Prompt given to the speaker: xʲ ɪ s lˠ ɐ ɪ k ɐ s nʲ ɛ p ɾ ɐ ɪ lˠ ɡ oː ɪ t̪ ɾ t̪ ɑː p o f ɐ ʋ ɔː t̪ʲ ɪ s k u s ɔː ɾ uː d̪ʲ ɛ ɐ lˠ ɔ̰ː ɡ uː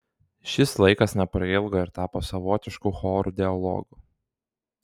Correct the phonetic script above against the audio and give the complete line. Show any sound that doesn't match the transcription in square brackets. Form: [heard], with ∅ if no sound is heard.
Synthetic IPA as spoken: [ʃʲ] ɪ s lˠ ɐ ɪ k ɐ s nʲ ɛ p ɾ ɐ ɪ lˠ ɡ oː ɪ [∅] ɾ t̪ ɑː p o [s] ɐ ʋ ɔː t̪ʲ ɪ [ʃ] k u [x] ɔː ɾ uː d̪ʲ ɛ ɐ lˠ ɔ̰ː ɡ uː